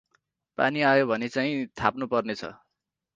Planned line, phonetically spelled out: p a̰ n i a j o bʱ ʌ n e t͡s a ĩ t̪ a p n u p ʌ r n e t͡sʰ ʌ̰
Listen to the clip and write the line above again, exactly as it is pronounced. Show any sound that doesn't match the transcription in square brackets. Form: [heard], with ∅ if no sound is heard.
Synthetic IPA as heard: p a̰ n i a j o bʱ ʌ n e t͡s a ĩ [t̪ʰ] a p n u p ʌ r n e t͡sʰ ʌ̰